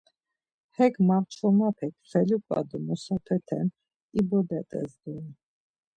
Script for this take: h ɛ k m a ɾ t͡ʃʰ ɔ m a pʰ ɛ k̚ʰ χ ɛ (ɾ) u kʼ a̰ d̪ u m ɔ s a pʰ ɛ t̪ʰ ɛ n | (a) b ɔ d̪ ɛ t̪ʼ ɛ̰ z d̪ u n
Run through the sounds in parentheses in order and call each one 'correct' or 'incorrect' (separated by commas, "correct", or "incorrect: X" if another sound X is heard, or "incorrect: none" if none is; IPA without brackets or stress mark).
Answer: incorrect: l, incorrect: i